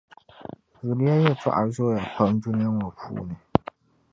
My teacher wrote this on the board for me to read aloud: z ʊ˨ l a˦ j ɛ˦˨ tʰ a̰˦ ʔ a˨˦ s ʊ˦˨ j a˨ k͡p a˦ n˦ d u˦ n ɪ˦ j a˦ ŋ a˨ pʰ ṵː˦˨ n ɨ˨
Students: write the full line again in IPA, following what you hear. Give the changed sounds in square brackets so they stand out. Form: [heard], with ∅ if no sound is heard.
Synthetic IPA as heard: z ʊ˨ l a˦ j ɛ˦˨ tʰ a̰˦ ʔ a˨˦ [z] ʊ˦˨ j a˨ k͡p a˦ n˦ d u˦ n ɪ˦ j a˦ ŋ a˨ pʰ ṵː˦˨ n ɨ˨